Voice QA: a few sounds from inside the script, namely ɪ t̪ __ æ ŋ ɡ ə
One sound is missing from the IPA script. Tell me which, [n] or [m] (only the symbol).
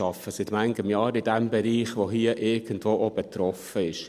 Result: m